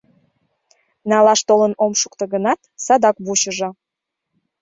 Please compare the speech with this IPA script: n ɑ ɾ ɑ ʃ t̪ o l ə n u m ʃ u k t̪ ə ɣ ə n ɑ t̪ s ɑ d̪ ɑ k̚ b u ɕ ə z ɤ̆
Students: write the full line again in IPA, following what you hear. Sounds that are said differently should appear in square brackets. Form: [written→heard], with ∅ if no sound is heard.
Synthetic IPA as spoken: n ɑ [ɾ→l] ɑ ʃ t̪ o l ə n [u→o] m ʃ u k t̪ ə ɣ ə n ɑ t̪ s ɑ d̪ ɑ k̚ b u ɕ ə [z→ʒ] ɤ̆